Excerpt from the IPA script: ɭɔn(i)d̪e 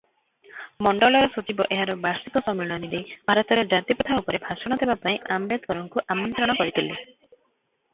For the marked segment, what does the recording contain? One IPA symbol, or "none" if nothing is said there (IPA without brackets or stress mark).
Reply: i